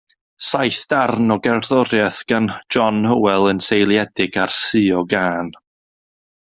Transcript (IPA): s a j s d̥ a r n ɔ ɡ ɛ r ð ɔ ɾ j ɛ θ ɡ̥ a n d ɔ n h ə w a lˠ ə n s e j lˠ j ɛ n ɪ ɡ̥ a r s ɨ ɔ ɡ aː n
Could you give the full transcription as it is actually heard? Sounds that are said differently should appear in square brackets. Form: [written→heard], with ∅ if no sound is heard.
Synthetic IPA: s a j [s→θ] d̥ a r n ɔ ɡ ɛ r ð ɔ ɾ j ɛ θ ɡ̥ a n [d→d͡ʒ] ɔ n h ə w [a→ɛ] lˠ ə n s e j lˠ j ɛ [n→d] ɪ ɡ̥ a r s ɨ ɔ ɡ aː n

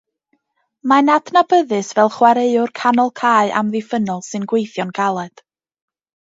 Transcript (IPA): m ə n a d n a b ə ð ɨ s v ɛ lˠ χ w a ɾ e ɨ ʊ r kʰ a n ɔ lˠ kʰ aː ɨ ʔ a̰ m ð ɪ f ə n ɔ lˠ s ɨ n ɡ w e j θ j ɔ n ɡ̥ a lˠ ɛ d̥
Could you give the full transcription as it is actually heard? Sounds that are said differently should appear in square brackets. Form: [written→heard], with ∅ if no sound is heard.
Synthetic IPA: m [ə→a] n a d n a b ə ð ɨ s v ɛ lˠ χ w a ɾ e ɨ ʊ r kʰ a n ɔ lˠ kʰ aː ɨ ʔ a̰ m ð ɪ f ə n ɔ lˠ s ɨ n ɡ w e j θ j ɔ n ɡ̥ a lˠ ɛ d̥

